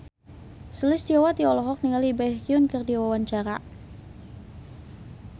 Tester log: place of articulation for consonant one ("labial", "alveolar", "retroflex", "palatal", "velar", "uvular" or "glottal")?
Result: alveolar